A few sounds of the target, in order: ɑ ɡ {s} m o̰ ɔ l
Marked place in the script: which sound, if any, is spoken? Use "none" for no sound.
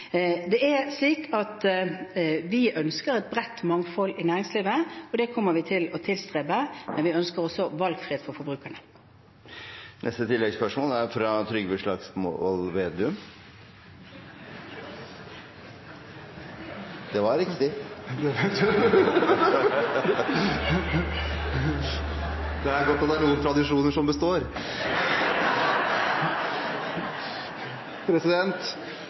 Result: s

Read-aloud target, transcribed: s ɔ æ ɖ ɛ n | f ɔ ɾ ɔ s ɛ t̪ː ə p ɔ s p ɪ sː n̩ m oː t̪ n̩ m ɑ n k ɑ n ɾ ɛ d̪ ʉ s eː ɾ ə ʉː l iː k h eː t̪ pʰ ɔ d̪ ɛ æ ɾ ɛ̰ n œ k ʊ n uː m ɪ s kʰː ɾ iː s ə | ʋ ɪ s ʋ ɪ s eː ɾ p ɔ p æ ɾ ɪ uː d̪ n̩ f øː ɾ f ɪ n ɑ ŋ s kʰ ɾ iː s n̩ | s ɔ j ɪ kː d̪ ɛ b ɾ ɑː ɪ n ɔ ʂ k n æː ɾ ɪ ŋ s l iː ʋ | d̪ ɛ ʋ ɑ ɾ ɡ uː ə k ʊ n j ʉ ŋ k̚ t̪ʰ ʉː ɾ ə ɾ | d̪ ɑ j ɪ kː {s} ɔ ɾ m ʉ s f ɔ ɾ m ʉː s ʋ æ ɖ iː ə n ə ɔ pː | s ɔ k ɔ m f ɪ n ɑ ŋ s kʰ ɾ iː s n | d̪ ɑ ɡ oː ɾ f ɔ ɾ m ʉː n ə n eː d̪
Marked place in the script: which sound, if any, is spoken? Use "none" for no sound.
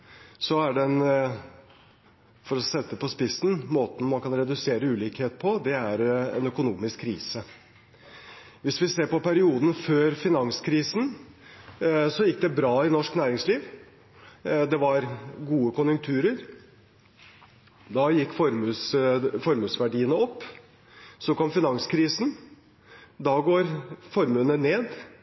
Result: f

